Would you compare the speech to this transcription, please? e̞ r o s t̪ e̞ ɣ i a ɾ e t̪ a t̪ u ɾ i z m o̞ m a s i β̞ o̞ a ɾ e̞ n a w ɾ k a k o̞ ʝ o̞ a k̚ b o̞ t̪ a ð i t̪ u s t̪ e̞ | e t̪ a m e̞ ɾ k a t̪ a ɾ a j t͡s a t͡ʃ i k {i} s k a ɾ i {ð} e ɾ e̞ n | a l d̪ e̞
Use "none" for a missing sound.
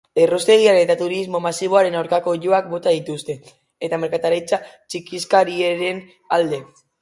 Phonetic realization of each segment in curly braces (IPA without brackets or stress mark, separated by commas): i, none